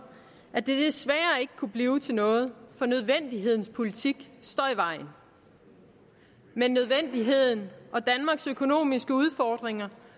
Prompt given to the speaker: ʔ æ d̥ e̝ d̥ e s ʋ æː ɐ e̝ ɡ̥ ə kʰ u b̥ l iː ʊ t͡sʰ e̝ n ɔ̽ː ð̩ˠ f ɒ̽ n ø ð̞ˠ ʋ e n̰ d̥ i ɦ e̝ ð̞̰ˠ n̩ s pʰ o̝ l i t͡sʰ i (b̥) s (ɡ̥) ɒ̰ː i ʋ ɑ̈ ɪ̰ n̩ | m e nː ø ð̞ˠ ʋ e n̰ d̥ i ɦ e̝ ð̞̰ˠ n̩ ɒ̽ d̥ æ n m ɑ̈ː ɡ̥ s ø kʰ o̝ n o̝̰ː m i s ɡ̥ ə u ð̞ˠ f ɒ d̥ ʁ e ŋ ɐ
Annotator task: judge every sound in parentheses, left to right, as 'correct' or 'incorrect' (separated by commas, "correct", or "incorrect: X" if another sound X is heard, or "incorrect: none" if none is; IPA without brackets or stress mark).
incorrect: ɡ̥, incorrect: d̥